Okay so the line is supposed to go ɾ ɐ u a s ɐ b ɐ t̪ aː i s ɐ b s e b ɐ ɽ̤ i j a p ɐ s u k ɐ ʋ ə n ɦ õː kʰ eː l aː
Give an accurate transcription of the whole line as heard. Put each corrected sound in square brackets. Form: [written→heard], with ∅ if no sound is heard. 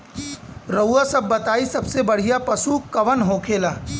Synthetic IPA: ɾ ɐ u a s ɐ [b→bː] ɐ t̪ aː i s ɐ b s e b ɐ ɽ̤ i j a p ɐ s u k ɐ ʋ ə n ɦ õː kʰ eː l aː